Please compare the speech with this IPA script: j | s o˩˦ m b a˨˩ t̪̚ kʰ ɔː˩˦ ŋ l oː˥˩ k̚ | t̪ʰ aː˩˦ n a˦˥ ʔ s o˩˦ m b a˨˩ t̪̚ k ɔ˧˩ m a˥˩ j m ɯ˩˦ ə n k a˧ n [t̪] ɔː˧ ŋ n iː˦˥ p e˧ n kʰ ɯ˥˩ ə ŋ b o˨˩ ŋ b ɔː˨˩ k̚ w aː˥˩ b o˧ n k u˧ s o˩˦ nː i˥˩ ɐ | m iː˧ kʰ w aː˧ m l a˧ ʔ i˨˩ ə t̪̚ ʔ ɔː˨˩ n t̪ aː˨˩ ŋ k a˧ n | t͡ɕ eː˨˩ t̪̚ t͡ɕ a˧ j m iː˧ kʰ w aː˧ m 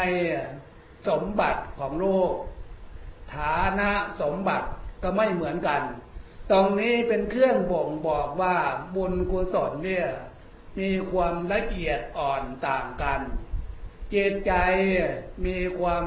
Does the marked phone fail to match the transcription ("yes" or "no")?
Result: no